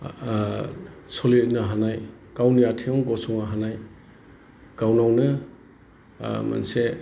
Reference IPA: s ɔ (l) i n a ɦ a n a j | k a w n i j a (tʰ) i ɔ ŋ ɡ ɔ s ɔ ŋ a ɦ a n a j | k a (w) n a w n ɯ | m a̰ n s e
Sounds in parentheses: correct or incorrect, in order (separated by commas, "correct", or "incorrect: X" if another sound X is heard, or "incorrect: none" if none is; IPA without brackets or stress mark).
correct, correct, correct